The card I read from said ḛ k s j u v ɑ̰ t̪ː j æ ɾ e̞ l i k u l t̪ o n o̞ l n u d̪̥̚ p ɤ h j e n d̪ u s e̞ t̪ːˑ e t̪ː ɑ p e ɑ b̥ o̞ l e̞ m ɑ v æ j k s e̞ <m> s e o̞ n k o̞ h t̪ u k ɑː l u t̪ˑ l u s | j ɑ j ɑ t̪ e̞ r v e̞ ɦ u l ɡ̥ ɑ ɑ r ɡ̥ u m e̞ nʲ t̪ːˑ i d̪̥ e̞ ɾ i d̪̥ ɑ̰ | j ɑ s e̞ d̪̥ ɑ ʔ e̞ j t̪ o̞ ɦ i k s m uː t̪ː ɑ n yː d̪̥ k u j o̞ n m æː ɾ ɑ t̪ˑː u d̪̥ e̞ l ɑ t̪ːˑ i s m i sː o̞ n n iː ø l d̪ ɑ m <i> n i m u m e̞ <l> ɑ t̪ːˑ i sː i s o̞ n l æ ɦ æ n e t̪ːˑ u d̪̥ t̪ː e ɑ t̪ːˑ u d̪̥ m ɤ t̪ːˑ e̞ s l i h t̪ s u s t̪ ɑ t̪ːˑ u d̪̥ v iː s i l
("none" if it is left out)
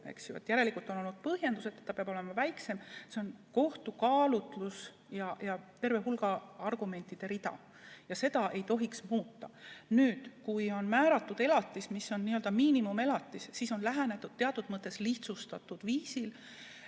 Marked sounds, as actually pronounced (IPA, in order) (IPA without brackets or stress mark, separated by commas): m, iː, l